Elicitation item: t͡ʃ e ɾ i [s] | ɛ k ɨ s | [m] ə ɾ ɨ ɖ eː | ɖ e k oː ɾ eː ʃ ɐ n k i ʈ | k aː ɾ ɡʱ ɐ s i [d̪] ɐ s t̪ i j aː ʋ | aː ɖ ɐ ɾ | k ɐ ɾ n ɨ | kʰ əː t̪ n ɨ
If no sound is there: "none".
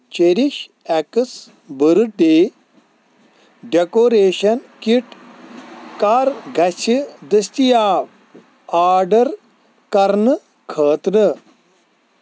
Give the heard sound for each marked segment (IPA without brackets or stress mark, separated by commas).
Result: ʃ, b, d̪